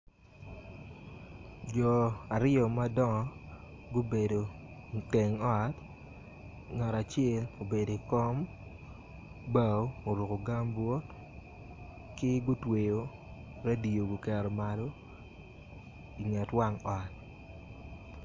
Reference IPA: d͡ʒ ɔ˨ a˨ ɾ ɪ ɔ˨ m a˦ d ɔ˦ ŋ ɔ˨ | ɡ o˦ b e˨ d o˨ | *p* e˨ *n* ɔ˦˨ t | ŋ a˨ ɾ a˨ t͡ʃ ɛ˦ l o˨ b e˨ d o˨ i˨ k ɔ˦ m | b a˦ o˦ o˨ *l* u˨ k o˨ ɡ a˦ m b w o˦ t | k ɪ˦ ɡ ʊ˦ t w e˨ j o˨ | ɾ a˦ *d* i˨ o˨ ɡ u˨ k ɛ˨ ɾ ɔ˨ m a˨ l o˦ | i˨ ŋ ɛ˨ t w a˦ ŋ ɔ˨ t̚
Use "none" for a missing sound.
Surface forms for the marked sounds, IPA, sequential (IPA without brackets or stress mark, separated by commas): t, ŋ, ɾ, d